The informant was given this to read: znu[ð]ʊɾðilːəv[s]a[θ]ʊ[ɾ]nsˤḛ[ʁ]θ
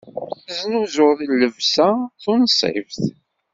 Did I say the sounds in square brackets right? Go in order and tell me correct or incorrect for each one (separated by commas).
incorrect, correct, correct, incorrect, incorrect